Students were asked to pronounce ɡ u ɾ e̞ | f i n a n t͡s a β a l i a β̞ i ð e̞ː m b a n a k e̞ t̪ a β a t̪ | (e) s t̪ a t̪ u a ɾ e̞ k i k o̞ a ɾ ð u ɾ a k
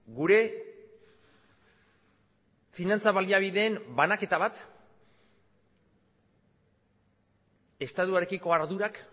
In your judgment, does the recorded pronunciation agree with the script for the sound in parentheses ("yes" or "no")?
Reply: yes